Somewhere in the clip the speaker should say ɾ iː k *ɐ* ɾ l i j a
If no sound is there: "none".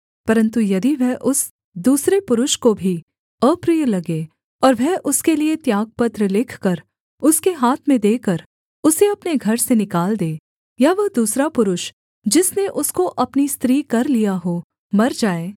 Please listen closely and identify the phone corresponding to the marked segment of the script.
ɐ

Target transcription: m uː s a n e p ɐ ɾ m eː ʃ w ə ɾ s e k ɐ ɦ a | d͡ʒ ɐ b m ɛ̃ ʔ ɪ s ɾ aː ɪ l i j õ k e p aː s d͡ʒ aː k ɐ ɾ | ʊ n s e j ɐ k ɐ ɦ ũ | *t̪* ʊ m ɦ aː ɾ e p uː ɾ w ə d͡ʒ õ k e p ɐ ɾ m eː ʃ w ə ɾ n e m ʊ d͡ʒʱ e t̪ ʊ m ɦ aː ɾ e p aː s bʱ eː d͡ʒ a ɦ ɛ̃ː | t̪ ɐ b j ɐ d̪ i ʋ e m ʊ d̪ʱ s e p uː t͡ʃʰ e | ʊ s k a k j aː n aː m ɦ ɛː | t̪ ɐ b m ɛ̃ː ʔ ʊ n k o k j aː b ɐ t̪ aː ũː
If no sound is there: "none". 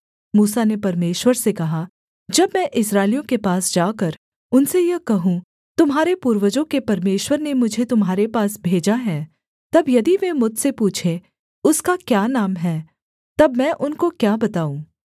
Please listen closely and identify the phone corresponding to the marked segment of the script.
t̪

